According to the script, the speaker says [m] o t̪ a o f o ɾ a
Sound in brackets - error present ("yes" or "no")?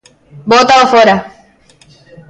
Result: yes